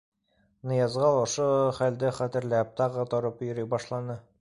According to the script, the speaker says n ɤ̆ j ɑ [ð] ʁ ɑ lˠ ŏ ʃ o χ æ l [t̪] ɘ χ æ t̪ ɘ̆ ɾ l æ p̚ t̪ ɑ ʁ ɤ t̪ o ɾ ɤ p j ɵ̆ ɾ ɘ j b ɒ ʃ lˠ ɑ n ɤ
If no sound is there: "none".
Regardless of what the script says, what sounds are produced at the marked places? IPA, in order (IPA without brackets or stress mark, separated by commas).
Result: z, d̪